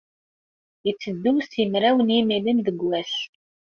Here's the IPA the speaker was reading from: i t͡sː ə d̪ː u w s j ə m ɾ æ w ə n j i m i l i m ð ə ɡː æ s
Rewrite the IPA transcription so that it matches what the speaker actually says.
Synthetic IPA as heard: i t͡sː ə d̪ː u w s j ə m ɾ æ w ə n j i m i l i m ð ə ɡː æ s